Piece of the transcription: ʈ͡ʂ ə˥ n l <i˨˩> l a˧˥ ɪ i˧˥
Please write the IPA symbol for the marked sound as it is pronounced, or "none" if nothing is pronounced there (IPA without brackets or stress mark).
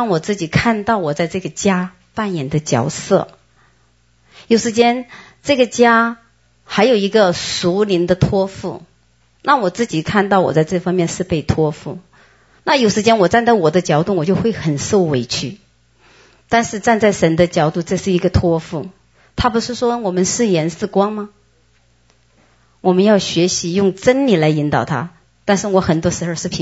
i˨˩